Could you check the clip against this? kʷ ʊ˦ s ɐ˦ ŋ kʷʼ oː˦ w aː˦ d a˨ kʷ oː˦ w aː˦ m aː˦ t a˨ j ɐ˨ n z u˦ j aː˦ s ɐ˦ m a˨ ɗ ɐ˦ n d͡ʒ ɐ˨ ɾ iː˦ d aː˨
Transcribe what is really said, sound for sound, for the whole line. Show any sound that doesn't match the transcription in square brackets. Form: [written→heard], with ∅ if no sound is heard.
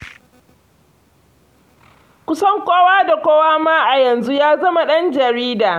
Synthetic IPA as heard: kʷ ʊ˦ s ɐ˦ ŋ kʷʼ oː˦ w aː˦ d a˨ kʷ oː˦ w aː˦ m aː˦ [t→ʔ] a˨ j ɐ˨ n z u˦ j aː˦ [s→z] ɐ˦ m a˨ ɗ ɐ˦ n d͡ʒ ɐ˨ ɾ iː˦ d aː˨